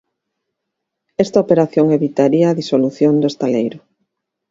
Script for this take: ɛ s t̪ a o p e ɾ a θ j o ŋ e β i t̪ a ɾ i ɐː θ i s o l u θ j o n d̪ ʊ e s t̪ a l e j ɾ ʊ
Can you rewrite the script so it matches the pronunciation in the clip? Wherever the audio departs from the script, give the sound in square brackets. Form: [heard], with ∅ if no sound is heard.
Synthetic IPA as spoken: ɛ s t̪ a o p e ɾ a θ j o ŋ e β i t̪ a ɾ i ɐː [ð] i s o l u θ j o n d̪ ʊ e s t̪ a l e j ɾ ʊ